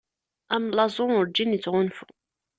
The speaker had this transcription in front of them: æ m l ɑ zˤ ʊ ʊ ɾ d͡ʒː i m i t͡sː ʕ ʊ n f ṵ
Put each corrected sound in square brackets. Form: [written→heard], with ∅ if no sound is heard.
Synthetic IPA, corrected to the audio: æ m l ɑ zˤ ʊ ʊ ɾ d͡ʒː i [m→n] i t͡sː [ʕ→ʁ] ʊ n f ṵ